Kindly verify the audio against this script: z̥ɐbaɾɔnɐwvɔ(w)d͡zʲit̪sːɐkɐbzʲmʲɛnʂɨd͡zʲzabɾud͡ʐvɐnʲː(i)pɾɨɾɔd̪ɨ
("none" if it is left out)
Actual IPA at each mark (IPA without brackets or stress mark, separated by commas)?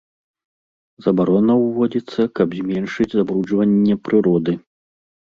none, ɛ